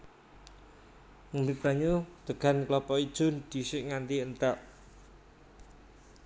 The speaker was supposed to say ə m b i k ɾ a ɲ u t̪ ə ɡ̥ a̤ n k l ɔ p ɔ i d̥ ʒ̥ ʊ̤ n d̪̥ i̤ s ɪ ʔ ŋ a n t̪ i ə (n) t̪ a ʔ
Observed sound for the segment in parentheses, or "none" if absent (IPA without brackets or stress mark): n